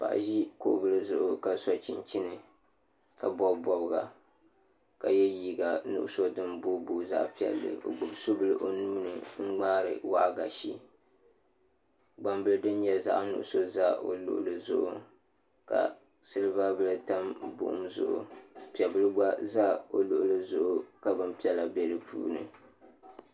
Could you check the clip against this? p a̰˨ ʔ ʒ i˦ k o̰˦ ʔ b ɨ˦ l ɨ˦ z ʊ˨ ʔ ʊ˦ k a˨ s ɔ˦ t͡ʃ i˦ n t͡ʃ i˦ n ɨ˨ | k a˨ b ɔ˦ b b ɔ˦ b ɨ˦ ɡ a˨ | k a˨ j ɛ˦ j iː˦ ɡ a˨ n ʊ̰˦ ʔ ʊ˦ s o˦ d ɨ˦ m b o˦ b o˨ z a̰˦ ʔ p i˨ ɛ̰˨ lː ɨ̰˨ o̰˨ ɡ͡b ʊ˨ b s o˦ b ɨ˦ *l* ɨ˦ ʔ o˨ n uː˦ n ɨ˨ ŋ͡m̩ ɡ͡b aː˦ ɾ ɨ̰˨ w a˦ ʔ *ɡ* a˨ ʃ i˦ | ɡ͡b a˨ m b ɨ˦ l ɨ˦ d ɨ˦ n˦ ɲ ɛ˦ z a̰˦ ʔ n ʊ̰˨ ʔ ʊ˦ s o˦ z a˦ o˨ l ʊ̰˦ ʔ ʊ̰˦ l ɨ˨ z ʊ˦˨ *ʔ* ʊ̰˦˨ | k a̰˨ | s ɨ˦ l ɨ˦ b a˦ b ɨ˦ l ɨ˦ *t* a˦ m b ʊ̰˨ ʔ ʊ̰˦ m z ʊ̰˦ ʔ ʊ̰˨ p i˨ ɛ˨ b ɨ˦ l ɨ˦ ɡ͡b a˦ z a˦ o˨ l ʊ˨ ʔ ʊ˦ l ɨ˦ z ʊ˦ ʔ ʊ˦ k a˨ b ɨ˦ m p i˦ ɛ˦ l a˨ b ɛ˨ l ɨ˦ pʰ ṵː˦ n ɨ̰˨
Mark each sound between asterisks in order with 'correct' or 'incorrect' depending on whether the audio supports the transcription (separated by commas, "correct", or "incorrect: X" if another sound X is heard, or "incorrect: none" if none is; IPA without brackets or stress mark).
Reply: correct, correct, correct, correct